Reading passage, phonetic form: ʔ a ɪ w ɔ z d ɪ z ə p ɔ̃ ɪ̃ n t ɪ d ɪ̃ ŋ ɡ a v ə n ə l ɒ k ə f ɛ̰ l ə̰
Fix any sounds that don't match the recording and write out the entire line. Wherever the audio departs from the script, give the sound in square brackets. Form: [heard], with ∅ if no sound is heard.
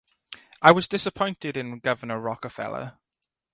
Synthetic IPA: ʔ a ɪ w [ɒ] z d ɪ [s] ə [pʰ] ɔ̃ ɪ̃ n t ɪ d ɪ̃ [n] ɡ [ʌ] v ə n ə [ɹ] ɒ k ə f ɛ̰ l ə̰